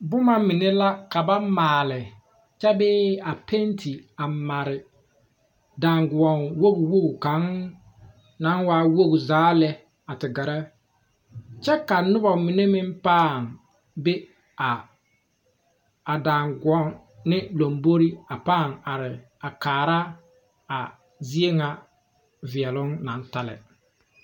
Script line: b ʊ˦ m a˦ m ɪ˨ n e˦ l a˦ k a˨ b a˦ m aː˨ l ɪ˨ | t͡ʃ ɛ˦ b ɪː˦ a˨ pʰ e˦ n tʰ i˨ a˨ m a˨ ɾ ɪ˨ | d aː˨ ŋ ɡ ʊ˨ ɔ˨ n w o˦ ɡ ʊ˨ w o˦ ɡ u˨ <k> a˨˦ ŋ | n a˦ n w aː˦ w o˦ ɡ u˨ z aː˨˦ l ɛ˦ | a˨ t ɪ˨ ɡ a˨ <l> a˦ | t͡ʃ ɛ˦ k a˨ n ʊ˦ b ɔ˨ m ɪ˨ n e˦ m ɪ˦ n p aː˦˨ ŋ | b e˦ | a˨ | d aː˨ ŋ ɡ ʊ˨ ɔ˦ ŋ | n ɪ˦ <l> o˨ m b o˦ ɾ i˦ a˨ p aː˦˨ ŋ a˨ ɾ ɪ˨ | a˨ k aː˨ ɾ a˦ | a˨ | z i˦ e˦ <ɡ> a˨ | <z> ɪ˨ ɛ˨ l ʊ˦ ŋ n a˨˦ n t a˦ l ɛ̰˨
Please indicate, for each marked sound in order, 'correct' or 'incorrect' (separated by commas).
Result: correct, incorrect, correct, incorrect, incorrect